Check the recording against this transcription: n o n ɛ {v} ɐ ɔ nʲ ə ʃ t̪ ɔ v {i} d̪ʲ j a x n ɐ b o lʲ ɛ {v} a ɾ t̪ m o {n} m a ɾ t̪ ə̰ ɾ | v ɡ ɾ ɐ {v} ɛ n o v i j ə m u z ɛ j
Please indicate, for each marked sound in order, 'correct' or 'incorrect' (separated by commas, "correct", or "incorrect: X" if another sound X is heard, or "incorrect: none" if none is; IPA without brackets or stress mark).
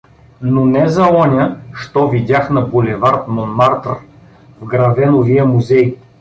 incorrect: z, correct, correct, correct, correct